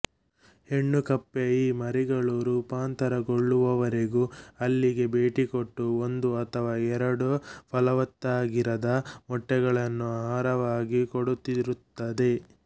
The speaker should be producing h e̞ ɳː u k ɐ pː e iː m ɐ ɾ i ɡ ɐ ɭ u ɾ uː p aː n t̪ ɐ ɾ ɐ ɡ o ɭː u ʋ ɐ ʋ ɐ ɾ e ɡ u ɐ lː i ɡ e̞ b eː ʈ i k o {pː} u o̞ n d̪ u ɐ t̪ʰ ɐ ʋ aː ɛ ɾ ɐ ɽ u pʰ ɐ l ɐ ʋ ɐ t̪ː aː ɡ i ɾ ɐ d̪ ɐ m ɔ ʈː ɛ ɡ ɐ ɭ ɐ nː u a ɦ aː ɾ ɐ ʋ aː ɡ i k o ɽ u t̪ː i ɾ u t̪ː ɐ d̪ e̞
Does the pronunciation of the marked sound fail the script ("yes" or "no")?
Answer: yes